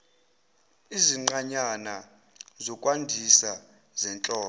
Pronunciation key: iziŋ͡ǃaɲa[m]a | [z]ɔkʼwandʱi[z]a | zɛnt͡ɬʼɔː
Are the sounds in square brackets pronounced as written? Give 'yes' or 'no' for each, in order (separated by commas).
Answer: no, yes, no